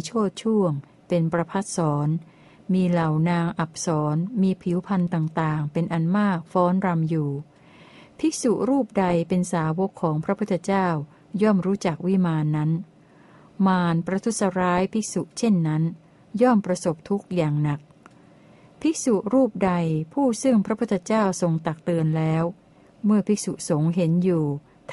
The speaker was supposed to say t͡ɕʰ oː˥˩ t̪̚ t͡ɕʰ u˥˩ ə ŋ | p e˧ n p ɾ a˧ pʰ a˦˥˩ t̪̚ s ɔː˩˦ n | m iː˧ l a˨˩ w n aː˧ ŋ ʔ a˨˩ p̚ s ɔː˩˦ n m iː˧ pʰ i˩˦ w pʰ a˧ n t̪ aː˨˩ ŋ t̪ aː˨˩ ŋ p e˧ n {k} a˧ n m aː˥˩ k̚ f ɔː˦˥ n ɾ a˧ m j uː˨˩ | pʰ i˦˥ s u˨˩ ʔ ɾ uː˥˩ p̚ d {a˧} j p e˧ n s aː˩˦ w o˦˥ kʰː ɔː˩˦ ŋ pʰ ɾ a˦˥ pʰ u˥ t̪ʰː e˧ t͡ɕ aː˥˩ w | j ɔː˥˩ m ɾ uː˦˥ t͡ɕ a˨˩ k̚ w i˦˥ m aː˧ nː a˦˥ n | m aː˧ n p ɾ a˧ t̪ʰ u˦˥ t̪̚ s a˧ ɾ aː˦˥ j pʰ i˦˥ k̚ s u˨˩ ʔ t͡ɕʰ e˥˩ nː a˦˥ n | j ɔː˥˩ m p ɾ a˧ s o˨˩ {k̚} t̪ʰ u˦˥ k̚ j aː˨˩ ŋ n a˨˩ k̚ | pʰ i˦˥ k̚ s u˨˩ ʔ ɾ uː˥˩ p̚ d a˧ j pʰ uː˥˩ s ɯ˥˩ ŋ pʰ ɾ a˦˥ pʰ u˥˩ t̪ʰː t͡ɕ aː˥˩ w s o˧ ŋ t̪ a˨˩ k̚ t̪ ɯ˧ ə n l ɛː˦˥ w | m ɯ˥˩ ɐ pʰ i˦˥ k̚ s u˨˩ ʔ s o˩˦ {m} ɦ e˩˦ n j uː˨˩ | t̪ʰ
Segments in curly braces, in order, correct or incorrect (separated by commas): incorrect, correct, incorrect, incorrect